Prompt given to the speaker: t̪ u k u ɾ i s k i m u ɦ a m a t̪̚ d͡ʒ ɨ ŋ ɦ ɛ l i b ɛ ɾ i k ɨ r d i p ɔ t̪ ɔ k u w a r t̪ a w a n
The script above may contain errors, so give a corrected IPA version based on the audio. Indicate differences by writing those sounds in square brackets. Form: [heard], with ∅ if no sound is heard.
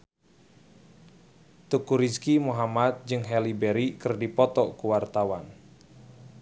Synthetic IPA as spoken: t̪ u k u ɾ i s k i m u ɦ a m a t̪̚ d͡ʒ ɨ ŋ ɦ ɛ l i b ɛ ɾ i k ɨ r d i p ɔ t̪ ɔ k u w a r t̪ a w a n